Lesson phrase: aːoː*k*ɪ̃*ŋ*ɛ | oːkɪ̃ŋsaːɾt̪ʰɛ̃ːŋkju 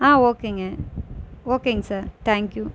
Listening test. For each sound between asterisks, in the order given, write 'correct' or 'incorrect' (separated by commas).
correct, correct